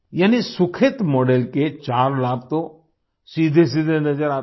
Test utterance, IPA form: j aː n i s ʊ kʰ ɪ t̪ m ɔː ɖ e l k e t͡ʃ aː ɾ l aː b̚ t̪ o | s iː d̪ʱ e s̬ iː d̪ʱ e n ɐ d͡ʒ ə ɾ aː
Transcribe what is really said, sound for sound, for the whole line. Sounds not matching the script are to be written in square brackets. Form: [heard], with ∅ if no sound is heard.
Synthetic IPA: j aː n i s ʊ kʰ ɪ t̪ m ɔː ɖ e l k e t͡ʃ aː ɾ l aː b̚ t̪ o | s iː d̪ʱ e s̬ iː d̪ʱ e n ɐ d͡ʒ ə ɾ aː